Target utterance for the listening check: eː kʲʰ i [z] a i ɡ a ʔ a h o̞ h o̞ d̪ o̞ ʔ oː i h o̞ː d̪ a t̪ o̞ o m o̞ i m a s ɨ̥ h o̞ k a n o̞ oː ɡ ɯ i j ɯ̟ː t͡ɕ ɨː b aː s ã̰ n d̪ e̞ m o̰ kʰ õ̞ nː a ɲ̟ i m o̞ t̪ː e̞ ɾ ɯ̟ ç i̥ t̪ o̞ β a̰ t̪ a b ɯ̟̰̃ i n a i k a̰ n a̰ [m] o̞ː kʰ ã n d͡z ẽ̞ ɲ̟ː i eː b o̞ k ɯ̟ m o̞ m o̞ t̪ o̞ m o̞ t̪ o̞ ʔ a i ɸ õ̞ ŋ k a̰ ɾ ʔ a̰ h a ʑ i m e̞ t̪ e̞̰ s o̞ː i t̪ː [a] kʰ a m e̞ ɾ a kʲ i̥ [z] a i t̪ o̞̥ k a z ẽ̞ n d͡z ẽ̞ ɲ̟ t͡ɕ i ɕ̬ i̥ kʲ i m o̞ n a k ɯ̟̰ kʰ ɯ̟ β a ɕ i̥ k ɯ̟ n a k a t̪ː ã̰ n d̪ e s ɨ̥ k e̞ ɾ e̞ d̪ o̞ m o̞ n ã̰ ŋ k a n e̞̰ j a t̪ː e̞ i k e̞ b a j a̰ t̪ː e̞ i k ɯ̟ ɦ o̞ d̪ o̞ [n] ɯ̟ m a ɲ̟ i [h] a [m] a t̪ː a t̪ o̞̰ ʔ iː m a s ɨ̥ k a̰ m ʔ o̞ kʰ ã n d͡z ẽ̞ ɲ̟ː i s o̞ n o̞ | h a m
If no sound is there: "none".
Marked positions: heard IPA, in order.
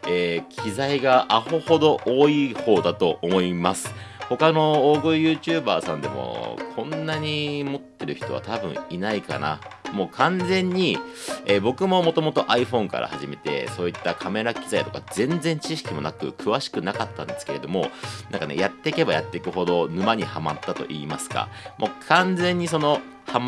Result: z, m, a, z, n, h, m

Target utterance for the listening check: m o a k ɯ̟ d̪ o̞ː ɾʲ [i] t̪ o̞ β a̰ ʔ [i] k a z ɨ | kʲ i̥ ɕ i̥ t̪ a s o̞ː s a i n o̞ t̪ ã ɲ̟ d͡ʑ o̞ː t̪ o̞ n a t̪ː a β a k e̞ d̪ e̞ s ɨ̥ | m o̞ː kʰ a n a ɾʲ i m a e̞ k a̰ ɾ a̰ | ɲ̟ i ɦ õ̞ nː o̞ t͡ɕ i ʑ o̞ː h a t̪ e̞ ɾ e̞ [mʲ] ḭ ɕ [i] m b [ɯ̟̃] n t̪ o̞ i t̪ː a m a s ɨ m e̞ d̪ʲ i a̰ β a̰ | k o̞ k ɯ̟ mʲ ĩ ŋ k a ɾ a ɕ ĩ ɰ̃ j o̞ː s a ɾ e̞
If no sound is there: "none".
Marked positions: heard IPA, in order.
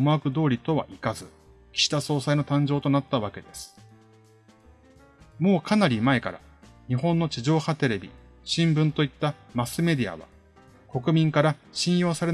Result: i, i, bʲ, ĩ, ɯ̟̃

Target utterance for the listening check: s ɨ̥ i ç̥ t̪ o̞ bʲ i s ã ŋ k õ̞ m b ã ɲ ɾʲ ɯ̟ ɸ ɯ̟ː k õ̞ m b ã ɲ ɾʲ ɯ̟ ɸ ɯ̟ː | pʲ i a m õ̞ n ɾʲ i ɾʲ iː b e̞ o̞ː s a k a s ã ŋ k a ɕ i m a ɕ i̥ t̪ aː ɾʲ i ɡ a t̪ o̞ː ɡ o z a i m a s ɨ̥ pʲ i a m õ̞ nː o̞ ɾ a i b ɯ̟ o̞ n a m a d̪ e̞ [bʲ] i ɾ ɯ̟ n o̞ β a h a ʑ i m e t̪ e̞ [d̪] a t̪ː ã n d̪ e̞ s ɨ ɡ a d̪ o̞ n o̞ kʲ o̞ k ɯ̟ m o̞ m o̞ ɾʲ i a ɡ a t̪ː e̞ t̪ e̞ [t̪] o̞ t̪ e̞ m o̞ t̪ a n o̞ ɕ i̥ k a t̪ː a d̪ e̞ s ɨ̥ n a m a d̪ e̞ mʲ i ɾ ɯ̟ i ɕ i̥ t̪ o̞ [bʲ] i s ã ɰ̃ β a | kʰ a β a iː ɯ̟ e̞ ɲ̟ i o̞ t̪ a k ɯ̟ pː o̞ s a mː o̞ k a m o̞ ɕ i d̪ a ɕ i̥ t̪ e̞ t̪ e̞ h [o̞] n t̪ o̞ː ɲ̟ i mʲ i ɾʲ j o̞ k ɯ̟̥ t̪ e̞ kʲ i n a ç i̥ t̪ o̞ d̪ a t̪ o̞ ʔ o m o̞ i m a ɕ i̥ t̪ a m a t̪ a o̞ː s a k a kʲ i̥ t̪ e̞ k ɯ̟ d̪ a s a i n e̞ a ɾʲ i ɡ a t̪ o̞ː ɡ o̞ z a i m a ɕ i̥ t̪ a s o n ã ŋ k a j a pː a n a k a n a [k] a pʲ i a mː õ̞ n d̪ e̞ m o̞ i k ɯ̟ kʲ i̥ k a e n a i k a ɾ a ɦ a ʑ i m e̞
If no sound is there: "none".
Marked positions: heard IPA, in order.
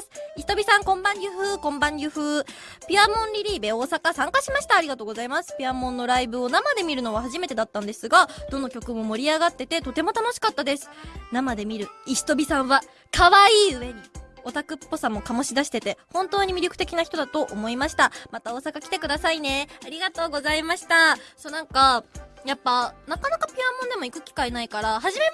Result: mʲ, d̪, t̪, bʲ, õ̞, k

